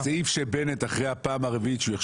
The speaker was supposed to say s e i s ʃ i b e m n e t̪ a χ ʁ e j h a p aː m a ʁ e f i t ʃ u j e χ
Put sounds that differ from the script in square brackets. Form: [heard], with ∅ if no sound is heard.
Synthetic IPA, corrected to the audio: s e i [f] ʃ [e] b e [∅] n e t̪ a χ ʁ e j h a p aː m a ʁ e [v] i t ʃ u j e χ